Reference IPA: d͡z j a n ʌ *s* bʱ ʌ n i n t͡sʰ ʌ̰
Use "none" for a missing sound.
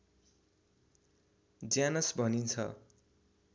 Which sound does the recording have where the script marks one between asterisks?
s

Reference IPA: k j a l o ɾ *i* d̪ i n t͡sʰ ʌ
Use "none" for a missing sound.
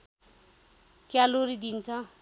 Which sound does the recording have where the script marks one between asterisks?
i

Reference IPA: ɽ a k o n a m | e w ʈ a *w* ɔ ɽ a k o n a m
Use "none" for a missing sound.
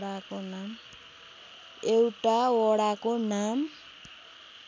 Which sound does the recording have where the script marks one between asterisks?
w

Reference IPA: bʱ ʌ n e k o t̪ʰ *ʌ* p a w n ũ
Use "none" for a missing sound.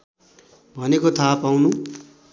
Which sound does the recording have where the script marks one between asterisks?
a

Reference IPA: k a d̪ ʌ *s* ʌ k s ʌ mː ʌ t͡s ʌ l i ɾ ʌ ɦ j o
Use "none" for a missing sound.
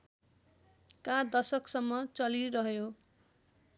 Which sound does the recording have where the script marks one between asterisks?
s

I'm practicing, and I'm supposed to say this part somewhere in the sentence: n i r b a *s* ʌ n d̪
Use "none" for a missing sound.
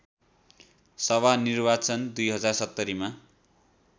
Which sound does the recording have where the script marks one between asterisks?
t͡s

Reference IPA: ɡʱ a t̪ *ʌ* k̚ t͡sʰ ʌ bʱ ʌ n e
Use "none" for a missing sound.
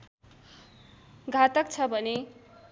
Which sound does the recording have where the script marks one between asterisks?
ʌ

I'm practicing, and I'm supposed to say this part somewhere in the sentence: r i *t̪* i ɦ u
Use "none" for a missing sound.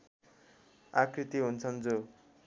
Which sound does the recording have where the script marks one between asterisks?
t̪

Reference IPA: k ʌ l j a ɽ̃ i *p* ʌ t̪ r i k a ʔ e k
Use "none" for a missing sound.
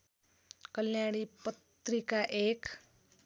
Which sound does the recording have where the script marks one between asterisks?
p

